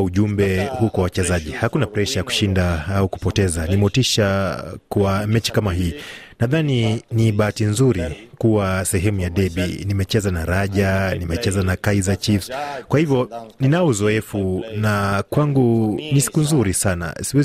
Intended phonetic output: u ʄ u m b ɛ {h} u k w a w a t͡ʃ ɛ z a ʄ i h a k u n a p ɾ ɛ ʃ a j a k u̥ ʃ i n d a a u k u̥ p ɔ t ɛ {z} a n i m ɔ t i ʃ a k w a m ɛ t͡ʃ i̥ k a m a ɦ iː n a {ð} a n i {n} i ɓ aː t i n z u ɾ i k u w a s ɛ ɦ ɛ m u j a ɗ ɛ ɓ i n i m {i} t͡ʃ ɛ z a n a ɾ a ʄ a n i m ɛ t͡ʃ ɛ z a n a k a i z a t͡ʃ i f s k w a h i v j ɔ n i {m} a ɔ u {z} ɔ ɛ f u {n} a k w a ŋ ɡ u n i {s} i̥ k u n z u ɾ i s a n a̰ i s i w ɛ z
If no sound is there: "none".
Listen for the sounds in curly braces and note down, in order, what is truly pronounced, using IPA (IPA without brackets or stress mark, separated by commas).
h, z, ð, n, ɛ, n, z, n, s